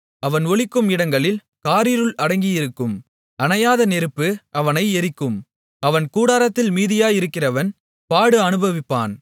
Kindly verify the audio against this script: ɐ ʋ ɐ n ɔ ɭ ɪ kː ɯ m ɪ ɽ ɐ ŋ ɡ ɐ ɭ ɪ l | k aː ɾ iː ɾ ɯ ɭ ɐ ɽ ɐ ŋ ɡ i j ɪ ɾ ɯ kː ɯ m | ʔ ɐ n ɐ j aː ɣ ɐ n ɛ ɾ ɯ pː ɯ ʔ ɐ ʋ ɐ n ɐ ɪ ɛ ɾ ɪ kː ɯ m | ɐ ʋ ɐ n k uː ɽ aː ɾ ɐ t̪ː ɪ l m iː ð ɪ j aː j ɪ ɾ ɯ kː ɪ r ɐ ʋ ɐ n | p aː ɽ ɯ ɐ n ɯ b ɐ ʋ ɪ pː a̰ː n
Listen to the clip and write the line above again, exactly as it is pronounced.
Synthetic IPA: ɐ ʋ ɐ n ɔ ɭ ɪ kː ɯ m ɪ ɽ ɐ ŋ ɡ ɐ ɭ ɪ l | k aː ɾ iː ɾ ɯ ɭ ɐ ɽ ɐ ŋ ɡ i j ɪ ɾ ɯ kː ɯ m | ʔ ɐ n ɐ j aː ð ɐ n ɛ ɾ ɯ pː ɯ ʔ ɐ ʋ ɐ n ɐ ɪ ɛ ɾ ɪ kː ɯ m | ɐ ʋ ɐ n k uː ɽ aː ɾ ɐ t̪ː ɪ l m iː ð ɪ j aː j ɪ ɾ ɯ kː ɪ r ɐ ʋ ɐ n | p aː ɽ ɯ ɐ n ɯ b ɐ ʋ ɪ pː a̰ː n

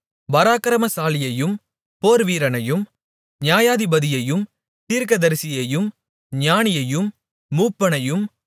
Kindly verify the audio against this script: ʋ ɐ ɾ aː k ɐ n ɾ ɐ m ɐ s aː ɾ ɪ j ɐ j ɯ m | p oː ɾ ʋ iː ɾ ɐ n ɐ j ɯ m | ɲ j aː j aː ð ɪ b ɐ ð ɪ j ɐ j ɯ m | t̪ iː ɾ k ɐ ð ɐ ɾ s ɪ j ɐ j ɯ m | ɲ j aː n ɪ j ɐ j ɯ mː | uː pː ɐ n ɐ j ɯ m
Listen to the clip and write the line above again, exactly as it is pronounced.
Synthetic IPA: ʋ ɐ ɾ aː k ɐ ɾ ɐ m ɐ s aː l ɪ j ɐ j ɯ m | p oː ɾ ʋ iː ɾ ɐ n ɐ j ɯ m | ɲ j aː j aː ð ɪ b ɐ ð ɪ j ɐ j ɯ m | t̪ iː ɾ k ɐ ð ɐ ɾ s ɪ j ɐ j ɯ m | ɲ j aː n ɪ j ɐ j ɯ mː | uː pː ɐ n ɐ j ɯ m

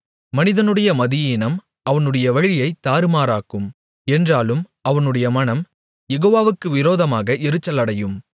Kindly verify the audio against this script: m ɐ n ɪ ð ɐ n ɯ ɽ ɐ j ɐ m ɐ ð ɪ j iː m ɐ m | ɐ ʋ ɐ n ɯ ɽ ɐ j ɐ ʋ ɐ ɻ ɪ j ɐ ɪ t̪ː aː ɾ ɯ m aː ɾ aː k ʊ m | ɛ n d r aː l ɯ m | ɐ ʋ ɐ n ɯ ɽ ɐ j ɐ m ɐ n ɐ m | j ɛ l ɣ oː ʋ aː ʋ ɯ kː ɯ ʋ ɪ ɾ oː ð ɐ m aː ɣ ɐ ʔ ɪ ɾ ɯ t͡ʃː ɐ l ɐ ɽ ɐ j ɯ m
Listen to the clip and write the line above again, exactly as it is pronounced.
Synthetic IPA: m ɐ n ɪ ð ɐ n ɯ ɽ ɐ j ɐ m ɐ ð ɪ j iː n ɐ m | ɐ ʋ ɐ n ɯ ɽ ɐ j ɐ ʋ ɐ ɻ ɪ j ɐ ɪ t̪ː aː ɾ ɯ m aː ɾ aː k ɯ m | ɛ n d r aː l ɯ m | ɐ ʋ ɐ n ɯ ɽ ɐ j ɐ m ɐ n ɐ m | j ɛ ɣ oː ʋ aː ʋ ɯ kː ɯ ʋ ɪ ɾ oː ð ɐ m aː ɣ ɐ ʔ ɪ ɾ ɯ t͡ʃː ɐ l ɐ ɽ ɐ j ɯ m

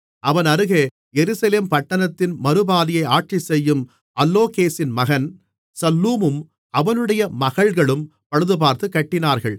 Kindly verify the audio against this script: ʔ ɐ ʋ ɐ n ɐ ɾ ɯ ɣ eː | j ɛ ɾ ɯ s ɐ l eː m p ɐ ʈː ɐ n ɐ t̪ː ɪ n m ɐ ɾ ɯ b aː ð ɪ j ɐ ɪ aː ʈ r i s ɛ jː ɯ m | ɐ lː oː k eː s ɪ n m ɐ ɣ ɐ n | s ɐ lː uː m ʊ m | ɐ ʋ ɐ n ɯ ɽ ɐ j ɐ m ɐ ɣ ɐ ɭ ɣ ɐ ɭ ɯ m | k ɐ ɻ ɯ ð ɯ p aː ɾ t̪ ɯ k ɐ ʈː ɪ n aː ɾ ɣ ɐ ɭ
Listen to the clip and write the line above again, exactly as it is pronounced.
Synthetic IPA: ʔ ɐ ʋ ɐ n ɐ ɾ ɯ ɣ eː | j ɛ ɾ ɯ s ɐ l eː m p ɐ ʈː ɐ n ɐ t̪ː ɪ n m ɐ ɾ ɯ b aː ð ɪ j ɐ ɪ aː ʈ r i s ɛ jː ɯ m | ɐ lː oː k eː s ɪ n m ɐ ɣ ɐ n | s ɐ lː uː m ɯ m | ɐ ʋ ɐ n ɯ ɽ ɐ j ɐ m ɐ ɣ ɐ ɭ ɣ ɐ ɭ ɯ m | p ɐ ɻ ɯ ð ɯ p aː ɾ t̪ ɯ k ɐ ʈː ɪ n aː ɾ ɣ ɐ ɭ

